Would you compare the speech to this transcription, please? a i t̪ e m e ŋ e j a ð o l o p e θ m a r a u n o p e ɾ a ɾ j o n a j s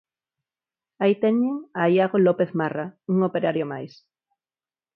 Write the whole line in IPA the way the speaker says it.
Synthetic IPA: a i t̪ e ɲ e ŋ a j a ɣ o l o p e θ m a r a u ŋ o p e ɾ a ɾ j o m a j s